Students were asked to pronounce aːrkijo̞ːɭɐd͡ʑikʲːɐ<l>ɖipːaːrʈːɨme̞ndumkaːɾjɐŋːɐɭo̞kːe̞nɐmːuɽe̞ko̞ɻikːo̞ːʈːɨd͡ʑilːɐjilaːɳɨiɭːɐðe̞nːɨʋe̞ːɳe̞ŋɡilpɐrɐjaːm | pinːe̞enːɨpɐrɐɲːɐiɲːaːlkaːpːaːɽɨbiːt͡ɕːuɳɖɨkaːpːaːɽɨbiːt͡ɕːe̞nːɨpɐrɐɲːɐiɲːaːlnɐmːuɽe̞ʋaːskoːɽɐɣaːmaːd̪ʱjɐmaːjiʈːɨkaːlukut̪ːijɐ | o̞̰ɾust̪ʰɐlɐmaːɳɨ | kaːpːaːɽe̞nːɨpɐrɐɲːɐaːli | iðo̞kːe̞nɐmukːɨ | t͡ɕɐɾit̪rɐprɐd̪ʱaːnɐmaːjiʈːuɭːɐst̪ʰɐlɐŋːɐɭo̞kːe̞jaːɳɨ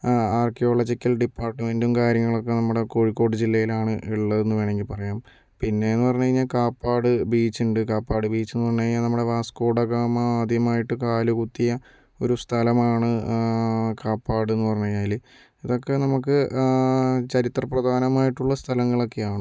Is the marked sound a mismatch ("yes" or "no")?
no